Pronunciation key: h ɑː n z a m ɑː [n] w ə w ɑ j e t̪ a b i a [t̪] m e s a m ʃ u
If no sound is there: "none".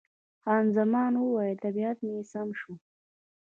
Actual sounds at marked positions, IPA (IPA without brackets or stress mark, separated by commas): n, t̪